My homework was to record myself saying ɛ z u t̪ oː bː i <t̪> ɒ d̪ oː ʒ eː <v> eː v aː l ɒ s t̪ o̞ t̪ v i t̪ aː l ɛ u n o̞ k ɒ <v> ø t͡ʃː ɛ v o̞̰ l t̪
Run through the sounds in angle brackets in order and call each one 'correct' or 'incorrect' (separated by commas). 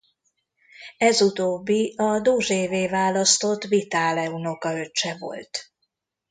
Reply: incorrect, correct, incorrect